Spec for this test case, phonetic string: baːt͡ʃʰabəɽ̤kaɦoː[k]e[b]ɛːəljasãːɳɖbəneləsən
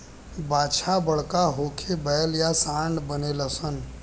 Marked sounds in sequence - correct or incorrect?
incorrect: kʰ, correct

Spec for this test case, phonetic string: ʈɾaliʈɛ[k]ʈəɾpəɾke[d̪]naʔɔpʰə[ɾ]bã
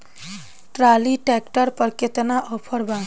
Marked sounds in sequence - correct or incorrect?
correct, incorrect: t̪, correct

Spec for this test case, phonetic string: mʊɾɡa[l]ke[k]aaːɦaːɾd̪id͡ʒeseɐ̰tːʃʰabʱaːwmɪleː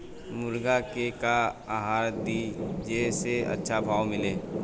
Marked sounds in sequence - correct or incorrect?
incorrect: none, correct

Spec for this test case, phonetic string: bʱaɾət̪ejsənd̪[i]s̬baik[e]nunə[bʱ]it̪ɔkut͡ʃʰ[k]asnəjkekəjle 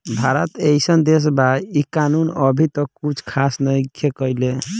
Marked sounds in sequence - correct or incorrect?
incorrect: e, incorrect: a, correct, incorrect: kʰ

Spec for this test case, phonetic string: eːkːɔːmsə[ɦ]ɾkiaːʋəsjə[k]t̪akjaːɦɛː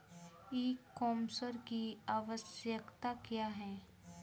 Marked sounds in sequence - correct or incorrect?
incorrect: none, correct

